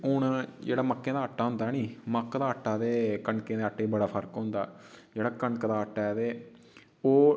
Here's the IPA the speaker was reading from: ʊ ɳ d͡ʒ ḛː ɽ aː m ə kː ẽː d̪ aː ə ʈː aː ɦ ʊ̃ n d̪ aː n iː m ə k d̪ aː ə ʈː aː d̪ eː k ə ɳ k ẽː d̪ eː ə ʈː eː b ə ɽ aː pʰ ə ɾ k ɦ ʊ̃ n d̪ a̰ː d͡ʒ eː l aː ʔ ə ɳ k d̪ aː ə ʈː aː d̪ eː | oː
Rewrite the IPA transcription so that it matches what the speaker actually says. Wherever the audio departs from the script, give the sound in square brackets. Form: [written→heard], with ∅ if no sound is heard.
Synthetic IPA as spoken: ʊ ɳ d͡ʒ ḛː ɽ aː m ə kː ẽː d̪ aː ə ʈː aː ɦ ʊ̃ n d̪ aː n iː m ə k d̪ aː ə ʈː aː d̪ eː k ə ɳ k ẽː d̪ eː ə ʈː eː b ə ɽ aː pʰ ə ɾ k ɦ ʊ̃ n d̪ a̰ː d͡ʒ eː [l→ɽ] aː [ʔ→k] ə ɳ k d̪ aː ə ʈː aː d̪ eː | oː